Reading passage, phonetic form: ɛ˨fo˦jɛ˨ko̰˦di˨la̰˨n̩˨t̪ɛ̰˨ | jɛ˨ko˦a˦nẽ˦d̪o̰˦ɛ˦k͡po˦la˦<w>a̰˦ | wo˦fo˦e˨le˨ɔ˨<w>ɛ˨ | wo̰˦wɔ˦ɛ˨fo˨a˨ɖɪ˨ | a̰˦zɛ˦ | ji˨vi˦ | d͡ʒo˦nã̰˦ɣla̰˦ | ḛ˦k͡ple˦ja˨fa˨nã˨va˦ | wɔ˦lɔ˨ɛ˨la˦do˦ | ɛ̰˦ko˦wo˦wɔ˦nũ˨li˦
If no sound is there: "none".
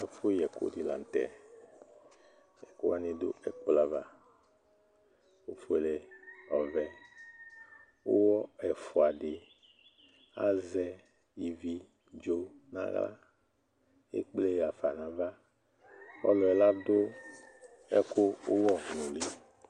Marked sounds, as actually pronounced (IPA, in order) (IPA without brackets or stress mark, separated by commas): v, v